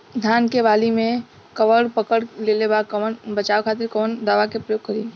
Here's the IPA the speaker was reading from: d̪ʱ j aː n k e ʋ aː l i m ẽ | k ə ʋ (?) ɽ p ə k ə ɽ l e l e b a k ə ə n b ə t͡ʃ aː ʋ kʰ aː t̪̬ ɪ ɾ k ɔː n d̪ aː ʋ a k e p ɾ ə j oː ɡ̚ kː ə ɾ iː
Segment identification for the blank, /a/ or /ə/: ə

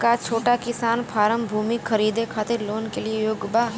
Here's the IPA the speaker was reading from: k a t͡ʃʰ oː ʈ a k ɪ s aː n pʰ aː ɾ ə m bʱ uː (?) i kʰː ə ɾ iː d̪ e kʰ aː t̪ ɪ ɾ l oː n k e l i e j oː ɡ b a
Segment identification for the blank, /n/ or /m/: m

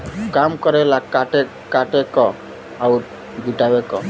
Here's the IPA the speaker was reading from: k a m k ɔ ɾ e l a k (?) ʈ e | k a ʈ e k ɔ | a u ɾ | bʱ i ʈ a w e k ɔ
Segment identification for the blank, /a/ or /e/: a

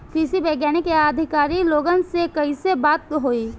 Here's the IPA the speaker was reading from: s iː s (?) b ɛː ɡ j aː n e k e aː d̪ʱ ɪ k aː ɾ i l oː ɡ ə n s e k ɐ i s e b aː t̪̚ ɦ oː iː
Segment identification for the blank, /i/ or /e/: i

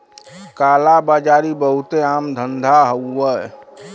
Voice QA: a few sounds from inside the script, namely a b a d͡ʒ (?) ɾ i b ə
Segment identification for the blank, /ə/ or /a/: a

